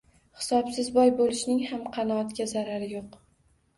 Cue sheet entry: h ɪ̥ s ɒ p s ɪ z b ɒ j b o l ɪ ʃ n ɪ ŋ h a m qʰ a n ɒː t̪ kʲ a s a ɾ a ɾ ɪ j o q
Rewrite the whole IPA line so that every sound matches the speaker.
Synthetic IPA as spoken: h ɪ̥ s ɒ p s ɪ z b ɒ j b o l ɪ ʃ n ɪ ŋ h a m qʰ ɑ n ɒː t̪ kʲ a z a ɾ a ɾ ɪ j o q

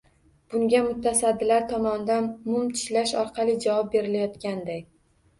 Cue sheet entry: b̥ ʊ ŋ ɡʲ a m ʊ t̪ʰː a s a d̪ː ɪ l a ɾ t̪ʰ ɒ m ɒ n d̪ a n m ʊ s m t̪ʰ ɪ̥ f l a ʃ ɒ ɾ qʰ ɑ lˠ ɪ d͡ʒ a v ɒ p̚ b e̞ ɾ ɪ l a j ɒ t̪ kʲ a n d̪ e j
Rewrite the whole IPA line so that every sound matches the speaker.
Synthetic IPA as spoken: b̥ ʊ ŋ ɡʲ a m ʊ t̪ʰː a s a d̪ː ɪ l a ɾ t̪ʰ ɒ m ɒ n d̪ a n m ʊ m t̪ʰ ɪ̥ ʃ l a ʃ ɒ ɾ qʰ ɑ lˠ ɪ d͡ʒ a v ɒ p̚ b e̞ ɾ ɪ l a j ɒ t̪ kʲ a n d̪ a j

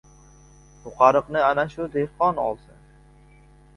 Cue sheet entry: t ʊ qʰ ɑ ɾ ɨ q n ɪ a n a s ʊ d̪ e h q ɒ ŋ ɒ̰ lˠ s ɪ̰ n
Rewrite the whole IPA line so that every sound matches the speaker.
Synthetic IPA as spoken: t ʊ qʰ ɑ ɾ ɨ q n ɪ a n a ʃ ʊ d̪ e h q ɒ n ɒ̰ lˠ s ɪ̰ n

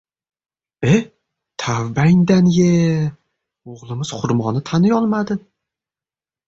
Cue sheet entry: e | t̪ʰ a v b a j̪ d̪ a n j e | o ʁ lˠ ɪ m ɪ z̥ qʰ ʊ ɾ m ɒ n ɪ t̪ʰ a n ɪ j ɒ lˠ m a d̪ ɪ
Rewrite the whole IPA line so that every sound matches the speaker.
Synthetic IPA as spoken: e | t̪ʰ a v b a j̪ d̪ a n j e | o ʁ lˠ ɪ m ɪ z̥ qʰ ʊ ɾ m ɒ n ɪ t̪ʰ a n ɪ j ɒ lˠ m a d̪ ɪ

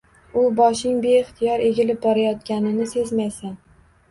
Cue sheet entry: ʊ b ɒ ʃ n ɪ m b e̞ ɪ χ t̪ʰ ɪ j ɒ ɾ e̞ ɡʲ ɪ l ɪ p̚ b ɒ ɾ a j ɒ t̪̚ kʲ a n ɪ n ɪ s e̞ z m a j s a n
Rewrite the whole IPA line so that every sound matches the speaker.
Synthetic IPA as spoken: ʊ b ɒ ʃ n ɪ ŋ b e̞ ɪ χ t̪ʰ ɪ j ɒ ɾ e̞ ɡʲ ɪ l ɪ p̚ b ɒ ɾ a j ɒ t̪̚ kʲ a n ɪ n ɪ s e̞ z m a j s a n

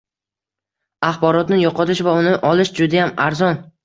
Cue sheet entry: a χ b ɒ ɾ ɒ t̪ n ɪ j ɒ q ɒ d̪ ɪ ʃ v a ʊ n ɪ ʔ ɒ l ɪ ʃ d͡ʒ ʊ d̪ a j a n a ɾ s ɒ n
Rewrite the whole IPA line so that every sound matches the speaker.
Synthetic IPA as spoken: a χ b ɒ ɾ ɒ t̪ n ɪ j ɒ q ɒ t̪ ɪ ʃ v a ʊ n ɪ ʔ ɒ l ɪ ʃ d͡ʒ ʊ d̪ a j a m a ɾ z ɒ n

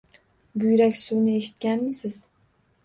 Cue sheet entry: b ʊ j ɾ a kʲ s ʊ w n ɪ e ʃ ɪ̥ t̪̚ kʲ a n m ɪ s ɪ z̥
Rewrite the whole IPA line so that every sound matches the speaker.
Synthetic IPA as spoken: b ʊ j ɾ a kʲ s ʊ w n ɪ e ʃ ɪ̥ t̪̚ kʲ a n m ɪ s ɪ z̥

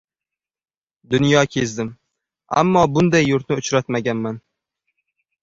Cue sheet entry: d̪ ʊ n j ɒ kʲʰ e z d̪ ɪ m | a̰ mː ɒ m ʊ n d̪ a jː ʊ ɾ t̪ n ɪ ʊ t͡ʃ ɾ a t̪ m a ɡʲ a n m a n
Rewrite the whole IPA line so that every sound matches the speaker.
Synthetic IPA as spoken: d̪ ʊ n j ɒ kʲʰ e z d̪ ɪ m | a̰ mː ɒ b ʊ n d̪ a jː ʊ ɾ t̪ n ɪ ʊ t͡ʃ ɾ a t̪ m a ɡʲ a n m a n

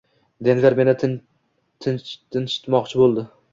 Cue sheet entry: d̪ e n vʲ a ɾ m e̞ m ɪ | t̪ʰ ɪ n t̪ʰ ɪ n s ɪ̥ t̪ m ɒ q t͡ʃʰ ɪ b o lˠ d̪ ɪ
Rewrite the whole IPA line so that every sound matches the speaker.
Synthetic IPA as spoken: d̪ e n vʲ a ɾ m e̞ n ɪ | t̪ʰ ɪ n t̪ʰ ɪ n ʃ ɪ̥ t̪ m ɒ q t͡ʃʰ ɪ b o lˠ d̪ ɪ

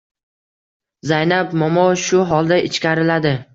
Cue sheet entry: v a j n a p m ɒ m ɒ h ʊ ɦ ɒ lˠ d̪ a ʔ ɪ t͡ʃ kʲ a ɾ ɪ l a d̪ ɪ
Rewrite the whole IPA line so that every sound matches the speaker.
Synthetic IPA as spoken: z a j n a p m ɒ m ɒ ʃ ʊ ɦ ɒ lˠ d̪ a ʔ ɪ t͡ʃ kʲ a ɾ ɪ l a d̪ ɪ

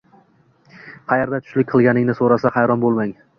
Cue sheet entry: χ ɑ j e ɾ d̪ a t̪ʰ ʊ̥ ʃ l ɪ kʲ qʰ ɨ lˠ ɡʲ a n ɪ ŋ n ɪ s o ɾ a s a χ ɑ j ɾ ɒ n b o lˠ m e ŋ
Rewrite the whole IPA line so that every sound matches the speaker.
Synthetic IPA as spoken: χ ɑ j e ɾ d̪ a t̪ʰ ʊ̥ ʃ l ɪ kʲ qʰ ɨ lˠ ɡʲ a n ɪ ŋ n ɪ s o ɾ a s a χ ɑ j ɾ ɒ n b o lˠ m a ŋ

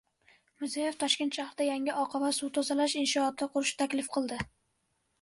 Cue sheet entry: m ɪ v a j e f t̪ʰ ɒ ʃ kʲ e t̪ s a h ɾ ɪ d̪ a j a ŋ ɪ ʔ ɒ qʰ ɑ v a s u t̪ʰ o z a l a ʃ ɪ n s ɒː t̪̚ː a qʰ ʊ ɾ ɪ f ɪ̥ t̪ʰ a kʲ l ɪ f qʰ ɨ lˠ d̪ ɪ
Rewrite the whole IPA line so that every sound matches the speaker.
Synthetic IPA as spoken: m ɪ z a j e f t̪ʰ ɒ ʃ kʲ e t̪ ʃ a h ɾ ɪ d̪ a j a ŋ ɪ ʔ ɒ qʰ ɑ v a s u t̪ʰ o z a l a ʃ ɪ n ʃ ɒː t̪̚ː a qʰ ʊ ɾ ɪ ʃ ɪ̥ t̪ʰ a kʲ l ɪ f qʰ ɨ lˠ d̪ ɪ

